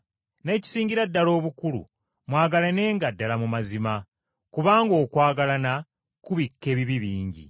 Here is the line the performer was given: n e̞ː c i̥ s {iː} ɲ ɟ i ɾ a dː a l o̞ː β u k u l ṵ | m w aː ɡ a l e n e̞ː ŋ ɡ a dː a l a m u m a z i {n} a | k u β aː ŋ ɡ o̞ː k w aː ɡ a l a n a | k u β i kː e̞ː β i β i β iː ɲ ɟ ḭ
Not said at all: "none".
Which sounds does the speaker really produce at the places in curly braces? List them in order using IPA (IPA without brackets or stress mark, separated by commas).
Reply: iː, m